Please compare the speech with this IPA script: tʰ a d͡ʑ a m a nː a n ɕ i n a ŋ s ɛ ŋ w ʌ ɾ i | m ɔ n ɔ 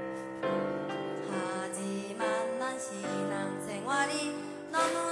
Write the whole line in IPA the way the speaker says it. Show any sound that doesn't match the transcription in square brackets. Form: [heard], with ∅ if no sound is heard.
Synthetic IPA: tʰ a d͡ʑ [i] m a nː a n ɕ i n a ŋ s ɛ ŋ w [a] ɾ i | [n] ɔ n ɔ